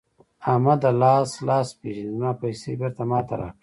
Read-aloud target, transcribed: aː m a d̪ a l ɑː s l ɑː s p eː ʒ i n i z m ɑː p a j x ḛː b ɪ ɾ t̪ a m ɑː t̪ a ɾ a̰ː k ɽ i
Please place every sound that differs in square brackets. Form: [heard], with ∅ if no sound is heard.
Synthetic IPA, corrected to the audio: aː m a d̪ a l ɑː s l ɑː s p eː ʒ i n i z m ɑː p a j [s] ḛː b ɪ ɾ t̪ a m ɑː t̪ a ɾ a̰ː k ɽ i